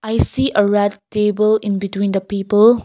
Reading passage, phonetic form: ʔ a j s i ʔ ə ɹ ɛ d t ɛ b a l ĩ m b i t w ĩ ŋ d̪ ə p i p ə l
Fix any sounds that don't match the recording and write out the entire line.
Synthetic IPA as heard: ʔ a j s i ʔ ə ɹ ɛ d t e b ə l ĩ n b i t w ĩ n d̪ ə p i p ə l

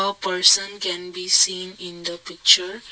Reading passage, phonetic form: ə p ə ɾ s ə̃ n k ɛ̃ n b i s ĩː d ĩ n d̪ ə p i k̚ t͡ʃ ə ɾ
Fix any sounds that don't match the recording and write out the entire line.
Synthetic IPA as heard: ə p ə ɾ s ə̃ n k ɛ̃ n b i s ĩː n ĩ n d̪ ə p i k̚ t͡ʃ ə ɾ

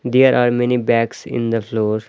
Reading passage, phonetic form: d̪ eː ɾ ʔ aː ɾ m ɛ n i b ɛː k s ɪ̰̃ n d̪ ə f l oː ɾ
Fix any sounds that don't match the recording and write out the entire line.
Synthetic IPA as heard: d̪ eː ɾ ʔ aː ɾ m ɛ n i b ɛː k s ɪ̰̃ n d̪ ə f l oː ɾ

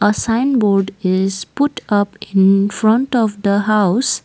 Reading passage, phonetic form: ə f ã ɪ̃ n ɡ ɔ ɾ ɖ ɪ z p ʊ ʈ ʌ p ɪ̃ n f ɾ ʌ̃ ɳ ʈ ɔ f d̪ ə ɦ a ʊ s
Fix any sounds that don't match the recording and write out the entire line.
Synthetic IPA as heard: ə s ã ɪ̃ n b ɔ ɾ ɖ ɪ z p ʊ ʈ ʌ p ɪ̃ n f ɾ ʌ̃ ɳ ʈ ɔ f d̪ ə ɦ a ʊ s

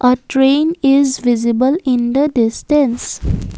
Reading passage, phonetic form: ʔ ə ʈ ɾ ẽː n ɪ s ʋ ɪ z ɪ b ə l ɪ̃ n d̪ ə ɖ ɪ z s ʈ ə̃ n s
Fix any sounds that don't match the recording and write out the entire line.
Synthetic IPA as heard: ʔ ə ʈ ɾ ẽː n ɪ z ʋ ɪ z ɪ b ə l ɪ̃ n d̪ ə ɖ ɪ s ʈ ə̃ n s

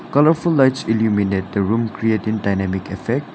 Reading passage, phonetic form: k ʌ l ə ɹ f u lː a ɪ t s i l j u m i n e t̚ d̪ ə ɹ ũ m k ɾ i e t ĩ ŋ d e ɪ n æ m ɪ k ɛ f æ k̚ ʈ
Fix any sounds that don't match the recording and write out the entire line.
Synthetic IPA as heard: k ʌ l ə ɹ f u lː a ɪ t s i l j u m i n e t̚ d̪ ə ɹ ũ m k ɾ i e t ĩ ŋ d a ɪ n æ m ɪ k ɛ f ɛ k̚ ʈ

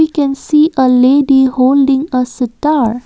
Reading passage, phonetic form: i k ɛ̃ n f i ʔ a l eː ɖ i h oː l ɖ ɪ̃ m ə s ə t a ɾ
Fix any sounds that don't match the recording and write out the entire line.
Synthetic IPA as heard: i k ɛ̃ n s i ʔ ə l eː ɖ i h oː l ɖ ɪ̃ ŋ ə s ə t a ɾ

